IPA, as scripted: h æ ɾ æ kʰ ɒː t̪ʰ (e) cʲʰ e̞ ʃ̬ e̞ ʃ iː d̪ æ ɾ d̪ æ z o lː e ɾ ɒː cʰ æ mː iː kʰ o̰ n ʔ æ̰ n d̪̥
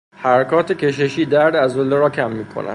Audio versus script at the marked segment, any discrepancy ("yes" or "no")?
no